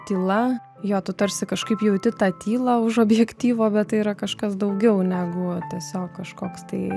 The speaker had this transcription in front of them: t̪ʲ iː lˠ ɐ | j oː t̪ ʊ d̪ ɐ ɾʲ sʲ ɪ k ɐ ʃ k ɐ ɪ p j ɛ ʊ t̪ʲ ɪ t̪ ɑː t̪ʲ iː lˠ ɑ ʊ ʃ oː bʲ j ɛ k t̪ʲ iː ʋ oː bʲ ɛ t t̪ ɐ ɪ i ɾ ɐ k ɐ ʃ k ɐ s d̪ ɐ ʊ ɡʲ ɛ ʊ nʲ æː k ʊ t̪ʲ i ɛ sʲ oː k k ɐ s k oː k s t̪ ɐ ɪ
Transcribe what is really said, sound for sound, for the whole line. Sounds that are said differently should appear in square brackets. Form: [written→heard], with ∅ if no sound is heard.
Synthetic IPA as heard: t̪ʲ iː lˠ ɐ | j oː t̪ ʊ [d̪→t̪] ɐ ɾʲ sʲ ɪ k ɐ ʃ k ɐ ɪ p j ɛ ʊ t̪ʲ ɪ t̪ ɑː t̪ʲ iː lˠ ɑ ʊ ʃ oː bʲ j ɛ k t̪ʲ iː ʋ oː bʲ ɛ t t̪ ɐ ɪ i ɾ ɐ k ɐ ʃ k ɐ s d̪ ɐ ʊ ɡʲ ɛ ʊ nʲ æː [k→ɡ] ʊ t̪ʲ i ɛ sʲ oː k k ɐ [s→ʃ] k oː k s t̪ ɐ ɪ